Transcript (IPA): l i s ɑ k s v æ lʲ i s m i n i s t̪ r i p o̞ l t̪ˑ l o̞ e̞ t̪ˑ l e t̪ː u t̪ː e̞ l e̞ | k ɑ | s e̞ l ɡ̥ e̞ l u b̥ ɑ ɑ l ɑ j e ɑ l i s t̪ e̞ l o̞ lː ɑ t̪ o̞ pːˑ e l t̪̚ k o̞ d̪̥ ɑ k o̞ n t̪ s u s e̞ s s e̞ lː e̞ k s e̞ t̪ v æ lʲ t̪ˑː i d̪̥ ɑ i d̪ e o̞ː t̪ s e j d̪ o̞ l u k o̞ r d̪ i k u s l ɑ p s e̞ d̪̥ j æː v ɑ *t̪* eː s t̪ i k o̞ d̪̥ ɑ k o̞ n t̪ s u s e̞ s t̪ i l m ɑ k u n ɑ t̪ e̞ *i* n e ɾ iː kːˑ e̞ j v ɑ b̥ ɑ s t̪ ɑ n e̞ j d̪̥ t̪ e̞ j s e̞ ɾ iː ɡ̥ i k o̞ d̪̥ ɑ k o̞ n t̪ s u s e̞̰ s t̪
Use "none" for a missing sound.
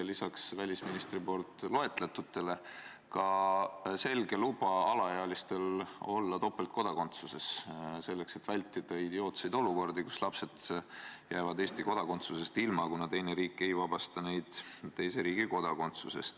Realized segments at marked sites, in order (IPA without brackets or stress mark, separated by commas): d̪, j